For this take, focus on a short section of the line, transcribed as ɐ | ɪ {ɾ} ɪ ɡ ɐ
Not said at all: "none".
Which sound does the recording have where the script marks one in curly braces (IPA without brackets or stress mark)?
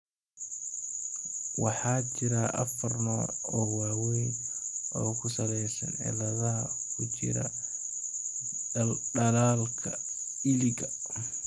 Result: l